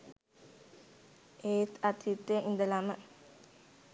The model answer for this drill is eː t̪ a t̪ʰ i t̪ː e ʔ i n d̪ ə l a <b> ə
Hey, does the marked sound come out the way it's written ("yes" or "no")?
no